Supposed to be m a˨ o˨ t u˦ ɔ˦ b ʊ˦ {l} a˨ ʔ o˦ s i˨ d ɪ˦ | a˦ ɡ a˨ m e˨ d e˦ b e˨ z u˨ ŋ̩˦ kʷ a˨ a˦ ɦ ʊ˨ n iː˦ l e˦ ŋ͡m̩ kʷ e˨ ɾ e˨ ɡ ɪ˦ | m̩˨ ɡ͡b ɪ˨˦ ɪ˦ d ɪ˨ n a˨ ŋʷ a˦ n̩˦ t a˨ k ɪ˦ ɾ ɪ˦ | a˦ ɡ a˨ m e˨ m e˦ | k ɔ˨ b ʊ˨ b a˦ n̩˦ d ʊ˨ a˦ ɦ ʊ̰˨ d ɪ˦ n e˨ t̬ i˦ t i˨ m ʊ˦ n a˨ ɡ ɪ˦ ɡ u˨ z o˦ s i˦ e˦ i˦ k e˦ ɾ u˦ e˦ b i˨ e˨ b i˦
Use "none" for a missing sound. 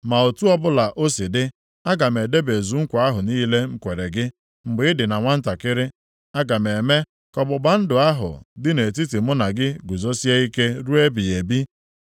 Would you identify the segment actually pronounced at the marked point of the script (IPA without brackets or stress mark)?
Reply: l